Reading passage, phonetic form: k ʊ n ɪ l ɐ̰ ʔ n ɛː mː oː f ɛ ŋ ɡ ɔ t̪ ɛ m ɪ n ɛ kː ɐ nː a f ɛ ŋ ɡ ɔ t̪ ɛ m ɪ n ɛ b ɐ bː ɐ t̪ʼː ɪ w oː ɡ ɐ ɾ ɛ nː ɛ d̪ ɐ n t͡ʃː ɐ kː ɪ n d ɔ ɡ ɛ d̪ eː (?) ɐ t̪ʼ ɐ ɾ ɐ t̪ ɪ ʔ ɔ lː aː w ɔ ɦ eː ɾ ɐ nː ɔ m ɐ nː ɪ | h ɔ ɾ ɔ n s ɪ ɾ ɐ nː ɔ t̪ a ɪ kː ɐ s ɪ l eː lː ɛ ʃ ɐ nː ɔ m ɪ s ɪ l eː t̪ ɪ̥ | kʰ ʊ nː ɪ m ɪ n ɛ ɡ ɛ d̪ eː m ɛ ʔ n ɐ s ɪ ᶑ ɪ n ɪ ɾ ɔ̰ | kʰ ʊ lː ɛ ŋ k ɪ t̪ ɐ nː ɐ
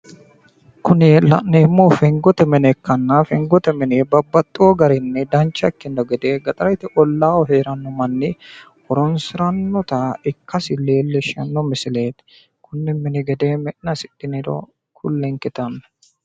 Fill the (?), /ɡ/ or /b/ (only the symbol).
ɡ